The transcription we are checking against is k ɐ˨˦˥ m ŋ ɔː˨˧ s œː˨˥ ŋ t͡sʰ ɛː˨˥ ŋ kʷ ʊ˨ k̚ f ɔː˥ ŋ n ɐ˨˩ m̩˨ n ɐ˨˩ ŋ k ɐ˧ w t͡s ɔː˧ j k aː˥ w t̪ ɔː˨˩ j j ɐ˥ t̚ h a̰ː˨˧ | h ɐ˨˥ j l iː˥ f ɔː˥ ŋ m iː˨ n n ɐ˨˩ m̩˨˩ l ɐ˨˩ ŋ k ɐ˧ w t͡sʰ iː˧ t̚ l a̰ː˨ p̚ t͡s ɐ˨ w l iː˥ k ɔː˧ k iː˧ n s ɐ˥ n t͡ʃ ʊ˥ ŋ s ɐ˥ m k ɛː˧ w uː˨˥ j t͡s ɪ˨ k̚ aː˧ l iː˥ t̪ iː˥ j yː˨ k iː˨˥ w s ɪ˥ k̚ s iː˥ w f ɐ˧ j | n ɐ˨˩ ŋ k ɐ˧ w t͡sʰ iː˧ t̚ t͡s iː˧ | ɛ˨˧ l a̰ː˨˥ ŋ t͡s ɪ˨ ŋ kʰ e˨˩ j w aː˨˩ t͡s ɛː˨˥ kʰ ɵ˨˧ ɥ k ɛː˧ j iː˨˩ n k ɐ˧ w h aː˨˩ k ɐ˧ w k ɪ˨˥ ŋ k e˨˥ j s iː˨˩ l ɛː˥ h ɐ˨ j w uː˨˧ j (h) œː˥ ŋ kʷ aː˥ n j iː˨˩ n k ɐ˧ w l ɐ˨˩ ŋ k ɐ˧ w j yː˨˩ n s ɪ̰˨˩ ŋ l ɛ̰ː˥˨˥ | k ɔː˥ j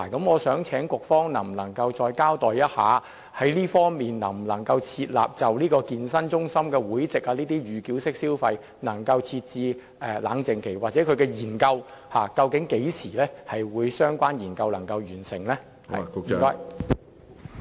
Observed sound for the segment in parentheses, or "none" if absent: s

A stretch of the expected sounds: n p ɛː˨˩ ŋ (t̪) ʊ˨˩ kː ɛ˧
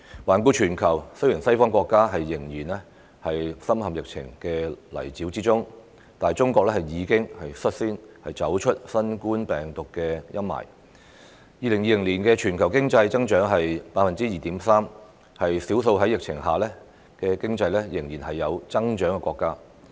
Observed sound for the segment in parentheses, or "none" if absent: t̪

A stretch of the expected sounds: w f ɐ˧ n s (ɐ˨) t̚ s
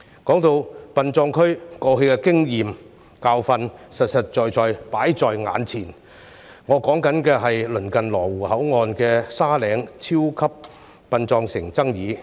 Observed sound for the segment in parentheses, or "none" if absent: ɐ˨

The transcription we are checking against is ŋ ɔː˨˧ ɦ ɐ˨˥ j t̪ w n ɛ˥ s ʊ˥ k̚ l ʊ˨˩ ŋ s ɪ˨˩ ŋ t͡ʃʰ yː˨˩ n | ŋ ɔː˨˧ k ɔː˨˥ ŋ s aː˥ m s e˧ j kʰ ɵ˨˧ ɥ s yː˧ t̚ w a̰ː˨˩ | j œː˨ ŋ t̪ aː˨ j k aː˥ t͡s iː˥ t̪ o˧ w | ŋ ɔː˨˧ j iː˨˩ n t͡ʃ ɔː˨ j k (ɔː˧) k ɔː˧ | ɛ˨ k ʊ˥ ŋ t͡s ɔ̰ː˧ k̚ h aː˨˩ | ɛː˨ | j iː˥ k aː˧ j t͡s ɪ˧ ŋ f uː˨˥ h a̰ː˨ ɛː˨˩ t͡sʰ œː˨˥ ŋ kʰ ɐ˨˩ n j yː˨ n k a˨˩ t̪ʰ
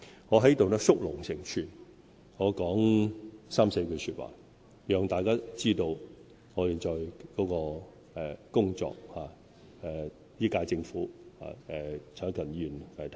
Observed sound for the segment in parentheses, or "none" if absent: ɔː˨˥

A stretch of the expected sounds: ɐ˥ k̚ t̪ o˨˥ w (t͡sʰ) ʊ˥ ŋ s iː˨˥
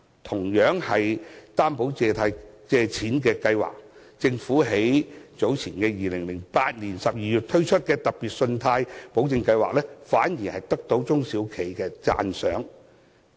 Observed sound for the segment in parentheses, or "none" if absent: t͡s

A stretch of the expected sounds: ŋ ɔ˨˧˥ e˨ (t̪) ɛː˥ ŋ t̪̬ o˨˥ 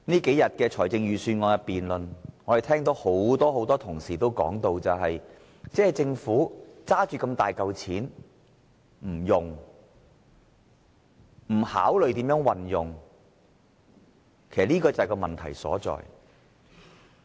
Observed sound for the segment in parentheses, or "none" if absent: t̪ʰ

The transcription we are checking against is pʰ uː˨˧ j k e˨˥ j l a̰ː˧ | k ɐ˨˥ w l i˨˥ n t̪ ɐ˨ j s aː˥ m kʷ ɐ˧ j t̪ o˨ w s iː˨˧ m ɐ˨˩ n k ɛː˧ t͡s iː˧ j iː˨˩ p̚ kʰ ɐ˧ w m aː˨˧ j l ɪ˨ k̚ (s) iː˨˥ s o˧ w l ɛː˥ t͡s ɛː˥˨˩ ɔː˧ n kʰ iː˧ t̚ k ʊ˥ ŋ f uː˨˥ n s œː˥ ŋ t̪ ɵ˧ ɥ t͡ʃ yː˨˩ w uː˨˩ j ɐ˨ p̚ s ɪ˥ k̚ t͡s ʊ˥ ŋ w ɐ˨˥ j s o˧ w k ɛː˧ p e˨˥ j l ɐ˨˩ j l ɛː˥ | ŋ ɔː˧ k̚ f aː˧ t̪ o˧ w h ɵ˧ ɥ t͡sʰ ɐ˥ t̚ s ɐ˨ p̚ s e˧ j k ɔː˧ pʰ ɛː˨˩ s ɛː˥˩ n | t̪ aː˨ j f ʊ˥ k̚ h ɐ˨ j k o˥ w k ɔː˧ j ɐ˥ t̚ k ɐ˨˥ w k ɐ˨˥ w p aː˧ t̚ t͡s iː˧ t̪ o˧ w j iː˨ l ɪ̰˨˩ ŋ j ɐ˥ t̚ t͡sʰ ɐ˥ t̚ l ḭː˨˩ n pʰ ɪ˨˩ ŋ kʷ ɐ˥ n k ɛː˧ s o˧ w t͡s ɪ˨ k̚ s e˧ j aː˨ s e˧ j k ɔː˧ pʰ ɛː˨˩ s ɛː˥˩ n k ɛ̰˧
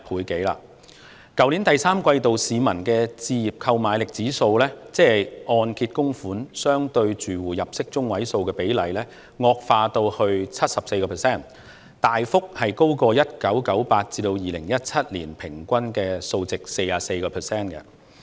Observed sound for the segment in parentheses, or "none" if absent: t͡s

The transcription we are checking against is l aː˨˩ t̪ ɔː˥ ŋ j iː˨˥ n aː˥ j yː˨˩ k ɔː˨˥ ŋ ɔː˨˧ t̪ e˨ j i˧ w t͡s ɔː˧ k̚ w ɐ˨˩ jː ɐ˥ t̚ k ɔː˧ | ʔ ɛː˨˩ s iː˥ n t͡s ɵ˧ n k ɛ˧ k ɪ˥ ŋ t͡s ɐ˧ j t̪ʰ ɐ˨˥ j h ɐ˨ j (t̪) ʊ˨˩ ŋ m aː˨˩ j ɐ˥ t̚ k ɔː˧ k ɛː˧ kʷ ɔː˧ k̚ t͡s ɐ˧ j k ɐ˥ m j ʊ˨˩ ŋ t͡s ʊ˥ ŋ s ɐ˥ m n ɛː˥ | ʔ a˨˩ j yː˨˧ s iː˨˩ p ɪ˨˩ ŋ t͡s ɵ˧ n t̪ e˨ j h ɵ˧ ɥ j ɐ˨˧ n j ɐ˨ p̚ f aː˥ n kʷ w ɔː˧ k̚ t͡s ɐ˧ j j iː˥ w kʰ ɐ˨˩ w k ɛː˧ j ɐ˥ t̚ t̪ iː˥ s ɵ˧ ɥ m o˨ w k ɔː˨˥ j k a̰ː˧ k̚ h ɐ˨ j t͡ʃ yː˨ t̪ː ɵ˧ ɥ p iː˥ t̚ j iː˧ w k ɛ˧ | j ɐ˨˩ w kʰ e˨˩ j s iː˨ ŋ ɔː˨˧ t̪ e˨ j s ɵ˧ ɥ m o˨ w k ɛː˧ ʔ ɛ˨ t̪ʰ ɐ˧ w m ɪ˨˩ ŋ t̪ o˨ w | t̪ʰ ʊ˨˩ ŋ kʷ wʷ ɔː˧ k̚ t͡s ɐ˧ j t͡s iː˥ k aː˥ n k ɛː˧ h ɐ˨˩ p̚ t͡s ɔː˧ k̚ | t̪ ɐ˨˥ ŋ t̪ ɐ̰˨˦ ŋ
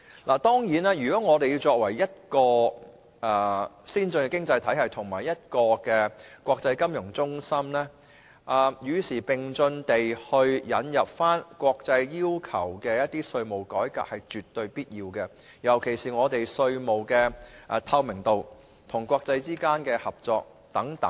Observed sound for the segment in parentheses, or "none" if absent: t̪ʰ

